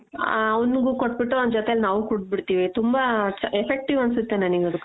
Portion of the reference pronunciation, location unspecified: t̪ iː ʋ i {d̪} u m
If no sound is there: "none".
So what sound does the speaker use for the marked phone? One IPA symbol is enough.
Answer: t̪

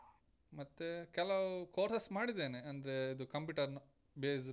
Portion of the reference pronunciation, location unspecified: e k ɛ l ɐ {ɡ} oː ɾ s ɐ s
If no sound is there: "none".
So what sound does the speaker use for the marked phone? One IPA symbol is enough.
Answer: k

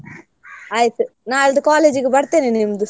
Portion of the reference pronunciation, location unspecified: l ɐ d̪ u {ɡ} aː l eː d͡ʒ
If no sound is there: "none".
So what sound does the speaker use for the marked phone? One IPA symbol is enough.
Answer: k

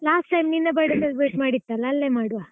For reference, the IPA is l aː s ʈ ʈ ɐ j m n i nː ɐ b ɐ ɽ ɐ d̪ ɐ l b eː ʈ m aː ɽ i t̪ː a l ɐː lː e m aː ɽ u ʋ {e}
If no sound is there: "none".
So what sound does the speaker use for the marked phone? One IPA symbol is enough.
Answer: a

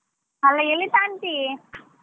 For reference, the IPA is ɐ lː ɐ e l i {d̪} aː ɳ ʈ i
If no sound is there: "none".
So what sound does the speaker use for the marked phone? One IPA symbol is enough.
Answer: t̪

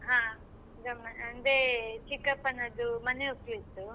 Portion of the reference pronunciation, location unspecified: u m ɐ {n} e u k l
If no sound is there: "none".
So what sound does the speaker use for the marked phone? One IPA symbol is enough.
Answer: n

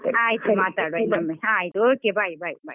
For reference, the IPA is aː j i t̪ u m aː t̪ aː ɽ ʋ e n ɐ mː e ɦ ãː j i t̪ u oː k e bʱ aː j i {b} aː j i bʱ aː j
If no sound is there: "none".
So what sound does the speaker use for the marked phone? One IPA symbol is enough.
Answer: b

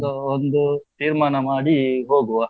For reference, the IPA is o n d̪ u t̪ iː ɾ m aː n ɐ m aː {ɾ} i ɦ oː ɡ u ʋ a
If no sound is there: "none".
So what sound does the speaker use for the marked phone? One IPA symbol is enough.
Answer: ɽ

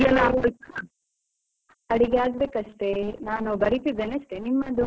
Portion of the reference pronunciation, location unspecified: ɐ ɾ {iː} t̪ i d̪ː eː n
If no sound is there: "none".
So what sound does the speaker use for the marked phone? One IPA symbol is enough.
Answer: i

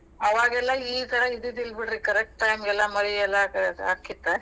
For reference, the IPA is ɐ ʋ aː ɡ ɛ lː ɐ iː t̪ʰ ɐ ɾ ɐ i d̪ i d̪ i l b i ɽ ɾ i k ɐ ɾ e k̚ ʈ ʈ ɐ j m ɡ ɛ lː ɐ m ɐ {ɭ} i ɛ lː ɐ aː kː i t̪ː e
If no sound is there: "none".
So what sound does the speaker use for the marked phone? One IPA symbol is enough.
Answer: ɾ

